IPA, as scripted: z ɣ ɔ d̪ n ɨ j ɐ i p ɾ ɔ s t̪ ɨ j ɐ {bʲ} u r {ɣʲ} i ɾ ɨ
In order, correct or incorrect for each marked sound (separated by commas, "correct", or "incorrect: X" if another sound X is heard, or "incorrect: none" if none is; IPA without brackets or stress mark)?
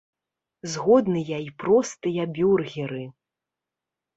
correct, correct